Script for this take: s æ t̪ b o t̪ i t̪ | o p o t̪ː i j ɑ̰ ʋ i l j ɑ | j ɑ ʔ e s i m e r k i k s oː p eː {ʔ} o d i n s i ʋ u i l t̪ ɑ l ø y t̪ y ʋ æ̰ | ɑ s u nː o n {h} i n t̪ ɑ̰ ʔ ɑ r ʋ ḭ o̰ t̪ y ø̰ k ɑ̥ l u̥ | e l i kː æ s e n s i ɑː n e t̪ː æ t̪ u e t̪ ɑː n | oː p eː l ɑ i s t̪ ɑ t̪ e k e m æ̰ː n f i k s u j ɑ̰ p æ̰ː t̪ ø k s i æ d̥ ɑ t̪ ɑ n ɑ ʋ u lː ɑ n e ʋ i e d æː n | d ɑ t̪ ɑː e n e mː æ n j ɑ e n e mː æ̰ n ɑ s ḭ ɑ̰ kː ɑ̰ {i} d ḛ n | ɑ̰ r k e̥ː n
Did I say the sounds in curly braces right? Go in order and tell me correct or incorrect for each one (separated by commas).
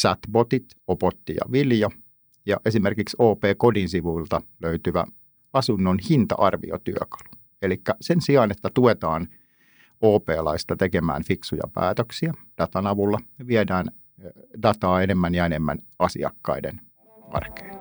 incorrect, correct, correct